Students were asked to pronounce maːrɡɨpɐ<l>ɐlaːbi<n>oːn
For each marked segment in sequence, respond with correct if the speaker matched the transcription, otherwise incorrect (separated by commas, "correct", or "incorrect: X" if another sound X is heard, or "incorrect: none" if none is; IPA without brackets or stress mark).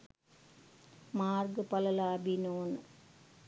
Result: correct, correct